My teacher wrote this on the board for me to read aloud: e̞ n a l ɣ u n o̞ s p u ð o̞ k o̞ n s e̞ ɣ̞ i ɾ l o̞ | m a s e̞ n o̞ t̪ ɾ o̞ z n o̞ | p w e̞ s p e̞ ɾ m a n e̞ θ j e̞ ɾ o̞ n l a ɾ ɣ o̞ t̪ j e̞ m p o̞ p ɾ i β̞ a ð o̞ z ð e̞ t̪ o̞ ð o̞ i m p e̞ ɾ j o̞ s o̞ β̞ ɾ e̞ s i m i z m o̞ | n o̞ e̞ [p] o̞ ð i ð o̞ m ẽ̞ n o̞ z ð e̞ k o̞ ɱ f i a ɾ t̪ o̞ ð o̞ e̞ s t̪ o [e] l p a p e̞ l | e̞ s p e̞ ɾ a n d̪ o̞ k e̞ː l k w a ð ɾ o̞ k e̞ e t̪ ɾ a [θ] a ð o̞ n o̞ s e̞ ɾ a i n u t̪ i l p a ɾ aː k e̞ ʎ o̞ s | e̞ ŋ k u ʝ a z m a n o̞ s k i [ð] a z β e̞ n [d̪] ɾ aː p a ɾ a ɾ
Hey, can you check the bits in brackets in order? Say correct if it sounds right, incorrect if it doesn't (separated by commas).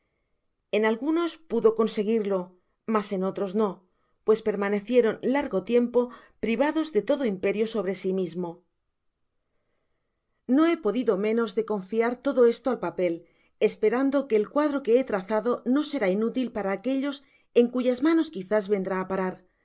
correct, incorrect, correct, incorrect, correct